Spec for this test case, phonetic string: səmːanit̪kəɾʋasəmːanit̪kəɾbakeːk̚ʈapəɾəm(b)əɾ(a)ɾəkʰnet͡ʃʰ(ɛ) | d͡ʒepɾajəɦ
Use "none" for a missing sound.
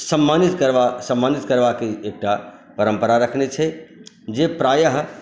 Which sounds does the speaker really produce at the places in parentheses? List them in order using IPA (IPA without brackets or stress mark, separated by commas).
p, a, ɛ